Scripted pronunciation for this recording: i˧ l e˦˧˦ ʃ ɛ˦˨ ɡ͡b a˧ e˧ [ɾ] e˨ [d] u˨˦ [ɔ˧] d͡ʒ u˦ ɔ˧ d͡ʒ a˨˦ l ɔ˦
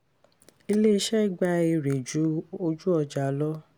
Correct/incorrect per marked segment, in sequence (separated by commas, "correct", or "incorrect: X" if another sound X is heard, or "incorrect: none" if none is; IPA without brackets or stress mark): correct, incorrect: d͡ʒ, incorrect: o˧